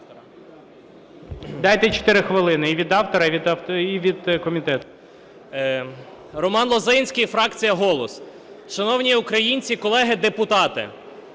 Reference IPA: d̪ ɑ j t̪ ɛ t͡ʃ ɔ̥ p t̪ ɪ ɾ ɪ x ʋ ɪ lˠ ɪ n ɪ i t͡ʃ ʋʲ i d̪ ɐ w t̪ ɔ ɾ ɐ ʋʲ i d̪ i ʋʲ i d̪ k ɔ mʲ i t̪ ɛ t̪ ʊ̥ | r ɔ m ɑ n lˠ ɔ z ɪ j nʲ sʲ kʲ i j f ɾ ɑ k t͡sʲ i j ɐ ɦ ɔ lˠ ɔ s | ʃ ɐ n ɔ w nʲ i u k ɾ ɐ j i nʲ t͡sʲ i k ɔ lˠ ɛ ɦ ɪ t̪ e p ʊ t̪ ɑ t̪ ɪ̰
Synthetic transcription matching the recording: d̪ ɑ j t̪ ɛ t͡ʃ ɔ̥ t̪ ɪ ɾ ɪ x ʋ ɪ lˠ ɪ n ɪ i ʋʲ i d̪ ɑ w t̪ ɔ ɾ ɐ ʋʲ i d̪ i ʋʲ i d̪ k ɔ mʲ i t̪ ɛ t̪ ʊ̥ | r ɔ m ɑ n lˠ ɔ z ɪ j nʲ sʲ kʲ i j f ɾ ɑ k t͡sʲ i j ɐ ɦ ɔ lˠ ɔ s | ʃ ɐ n ɔ w nʲ i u k ɾ ɐ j i nʲ t͡sʲ i k ɔ lˠ ɛ ɦ ɪ d̪ e p ʊ t̪ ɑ t̪ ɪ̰